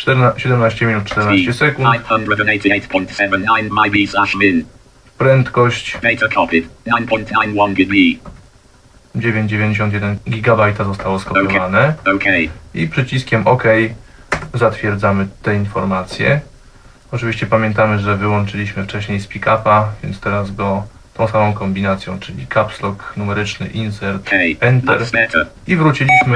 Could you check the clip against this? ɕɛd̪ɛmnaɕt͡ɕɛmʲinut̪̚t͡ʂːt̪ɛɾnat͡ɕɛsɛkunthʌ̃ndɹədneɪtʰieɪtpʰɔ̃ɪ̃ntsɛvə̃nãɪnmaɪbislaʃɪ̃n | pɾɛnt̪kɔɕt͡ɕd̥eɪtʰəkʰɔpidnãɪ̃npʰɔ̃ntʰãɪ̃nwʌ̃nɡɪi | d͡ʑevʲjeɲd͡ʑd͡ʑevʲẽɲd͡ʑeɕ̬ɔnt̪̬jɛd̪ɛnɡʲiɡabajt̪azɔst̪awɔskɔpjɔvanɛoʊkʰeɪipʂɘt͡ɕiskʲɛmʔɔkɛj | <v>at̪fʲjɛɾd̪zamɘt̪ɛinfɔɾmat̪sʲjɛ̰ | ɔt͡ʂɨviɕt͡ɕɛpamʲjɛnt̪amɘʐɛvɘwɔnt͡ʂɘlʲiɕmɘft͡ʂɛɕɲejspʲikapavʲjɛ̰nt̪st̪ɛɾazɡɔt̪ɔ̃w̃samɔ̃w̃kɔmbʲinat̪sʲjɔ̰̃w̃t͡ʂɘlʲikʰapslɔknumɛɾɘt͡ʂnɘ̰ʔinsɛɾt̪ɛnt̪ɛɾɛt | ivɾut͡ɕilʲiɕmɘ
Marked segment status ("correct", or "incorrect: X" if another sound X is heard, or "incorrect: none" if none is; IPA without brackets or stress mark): incorrect: z